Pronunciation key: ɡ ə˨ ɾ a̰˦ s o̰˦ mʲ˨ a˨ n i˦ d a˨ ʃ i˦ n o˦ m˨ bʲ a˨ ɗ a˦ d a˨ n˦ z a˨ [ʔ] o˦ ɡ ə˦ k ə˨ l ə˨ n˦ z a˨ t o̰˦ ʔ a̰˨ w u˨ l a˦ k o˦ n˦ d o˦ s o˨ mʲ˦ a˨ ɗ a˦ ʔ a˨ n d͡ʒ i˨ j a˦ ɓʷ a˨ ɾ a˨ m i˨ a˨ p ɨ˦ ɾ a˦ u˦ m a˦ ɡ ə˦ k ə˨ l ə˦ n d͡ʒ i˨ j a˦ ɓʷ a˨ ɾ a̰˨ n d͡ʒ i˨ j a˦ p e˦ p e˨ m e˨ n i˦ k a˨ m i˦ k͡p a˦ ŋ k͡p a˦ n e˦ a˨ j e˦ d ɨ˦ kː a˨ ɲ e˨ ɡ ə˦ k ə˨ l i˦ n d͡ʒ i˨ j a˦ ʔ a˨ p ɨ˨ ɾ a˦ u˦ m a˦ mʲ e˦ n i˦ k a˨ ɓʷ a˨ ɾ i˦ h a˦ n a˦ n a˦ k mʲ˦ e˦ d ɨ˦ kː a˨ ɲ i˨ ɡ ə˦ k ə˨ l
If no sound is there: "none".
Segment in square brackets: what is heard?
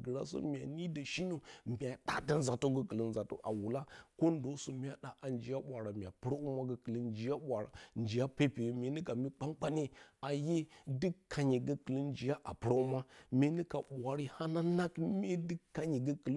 t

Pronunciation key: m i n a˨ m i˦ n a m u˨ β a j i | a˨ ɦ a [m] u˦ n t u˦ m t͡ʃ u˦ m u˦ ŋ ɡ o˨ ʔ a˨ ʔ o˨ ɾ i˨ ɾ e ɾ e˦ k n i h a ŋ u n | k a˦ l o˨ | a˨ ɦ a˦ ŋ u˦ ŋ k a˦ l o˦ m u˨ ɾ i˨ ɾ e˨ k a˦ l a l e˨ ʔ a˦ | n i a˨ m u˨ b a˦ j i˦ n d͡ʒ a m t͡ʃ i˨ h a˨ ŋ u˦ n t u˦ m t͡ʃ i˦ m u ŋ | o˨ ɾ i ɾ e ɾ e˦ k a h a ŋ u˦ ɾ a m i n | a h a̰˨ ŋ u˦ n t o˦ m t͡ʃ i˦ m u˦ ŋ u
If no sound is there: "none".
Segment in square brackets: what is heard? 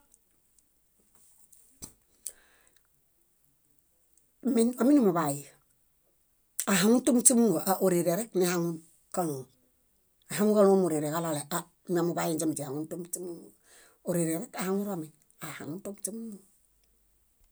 ŋ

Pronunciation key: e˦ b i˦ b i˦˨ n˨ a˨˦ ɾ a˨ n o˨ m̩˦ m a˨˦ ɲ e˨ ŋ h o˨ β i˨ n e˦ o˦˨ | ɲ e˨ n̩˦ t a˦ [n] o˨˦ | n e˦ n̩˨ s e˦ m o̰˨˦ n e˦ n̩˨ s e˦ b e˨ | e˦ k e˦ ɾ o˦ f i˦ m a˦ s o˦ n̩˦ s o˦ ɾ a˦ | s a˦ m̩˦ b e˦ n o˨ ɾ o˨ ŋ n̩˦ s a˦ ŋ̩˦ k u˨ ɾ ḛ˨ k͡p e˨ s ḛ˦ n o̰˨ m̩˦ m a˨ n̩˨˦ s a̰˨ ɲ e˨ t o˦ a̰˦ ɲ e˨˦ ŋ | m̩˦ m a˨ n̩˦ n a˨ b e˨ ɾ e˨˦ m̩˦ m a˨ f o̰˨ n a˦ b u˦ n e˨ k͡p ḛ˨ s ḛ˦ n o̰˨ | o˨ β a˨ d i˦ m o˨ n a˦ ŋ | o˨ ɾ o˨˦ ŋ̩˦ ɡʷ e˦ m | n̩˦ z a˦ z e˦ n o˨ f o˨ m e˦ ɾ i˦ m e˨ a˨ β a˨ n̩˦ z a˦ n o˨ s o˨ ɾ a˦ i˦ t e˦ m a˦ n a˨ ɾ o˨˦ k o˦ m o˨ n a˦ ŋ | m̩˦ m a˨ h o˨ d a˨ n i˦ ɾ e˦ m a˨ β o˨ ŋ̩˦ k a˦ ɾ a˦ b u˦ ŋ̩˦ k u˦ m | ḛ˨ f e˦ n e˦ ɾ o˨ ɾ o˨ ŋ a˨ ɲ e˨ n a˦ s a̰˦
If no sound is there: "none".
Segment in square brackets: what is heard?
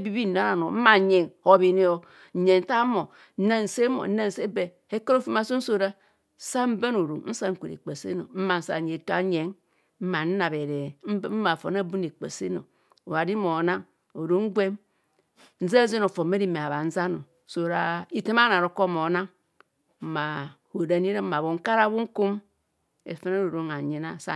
m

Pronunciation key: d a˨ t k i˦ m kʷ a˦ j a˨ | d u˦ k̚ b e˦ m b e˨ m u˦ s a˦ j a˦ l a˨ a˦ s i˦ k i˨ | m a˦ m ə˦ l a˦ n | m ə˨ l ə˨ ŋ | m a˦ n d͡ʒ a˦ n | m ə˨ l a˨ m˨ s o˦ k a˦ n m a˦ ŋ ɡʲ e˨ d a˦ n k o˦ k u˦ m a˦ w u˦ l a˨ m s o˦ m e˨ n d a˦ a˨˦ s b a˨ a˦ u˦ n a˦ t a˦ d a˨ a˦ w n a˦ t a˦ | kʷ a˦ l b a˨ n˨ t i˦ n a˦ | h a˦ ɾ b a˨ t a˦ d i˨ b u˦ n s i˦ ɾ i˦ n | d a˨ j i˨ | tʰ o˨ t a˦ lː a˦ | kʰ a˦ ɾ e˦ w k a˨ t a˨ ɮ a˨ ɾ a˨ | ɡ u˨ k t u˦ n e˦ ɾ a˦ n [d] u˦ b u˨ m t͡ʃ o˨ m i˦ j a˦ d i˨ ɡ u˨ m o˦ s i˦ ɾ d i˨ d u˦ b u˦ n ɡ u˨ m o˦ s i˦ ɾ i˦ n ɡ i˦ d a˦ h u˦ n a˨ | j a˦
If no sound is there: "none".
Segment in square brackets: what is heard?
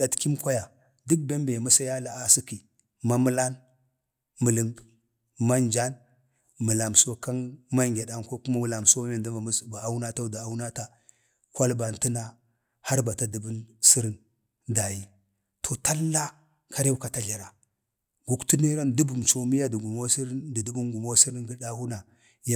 d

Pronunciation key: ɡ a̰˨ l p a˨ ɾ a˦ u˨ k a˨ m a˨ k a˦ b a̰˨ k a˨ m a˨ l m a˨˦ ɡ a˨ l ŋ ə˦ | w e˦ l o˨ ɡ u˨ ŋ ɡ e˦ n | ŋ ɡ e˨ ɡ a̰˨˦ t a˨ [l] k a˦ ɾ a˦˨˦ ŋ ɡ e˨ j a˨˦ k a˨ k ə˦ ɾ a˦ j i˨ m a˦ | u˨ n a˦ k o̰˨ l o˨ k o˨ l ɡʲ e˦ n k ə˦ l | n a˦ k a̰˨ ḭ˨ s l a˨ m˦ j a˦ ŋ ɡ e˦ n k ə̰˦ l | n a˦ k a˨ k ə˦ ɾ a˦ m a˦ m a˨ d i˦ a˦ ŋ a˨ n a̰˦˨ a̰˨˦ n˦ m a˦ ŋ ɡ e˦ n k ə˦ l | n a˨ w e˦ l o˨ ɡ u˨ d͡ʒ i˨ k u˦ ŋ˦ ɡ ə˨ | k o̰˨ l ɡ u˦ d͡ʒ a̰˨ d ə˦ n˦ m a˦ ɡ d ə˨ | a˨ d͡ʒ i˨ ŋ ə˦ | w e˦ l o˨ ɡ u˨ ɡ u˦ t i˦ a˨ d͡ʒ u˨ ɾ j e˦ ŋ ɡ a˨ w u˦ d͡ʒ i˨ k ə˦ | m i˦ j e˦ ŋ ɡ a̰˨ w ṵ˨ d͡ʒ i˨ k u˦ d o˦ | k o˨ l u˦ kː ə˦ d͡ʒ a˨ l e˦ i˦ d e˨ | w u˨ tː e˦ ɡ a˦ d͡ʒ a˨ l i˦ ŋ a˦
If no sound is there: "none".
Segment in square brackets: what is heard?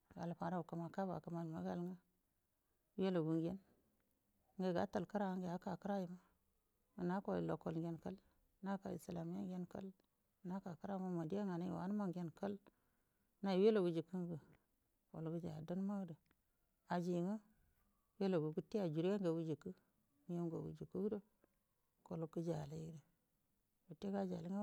l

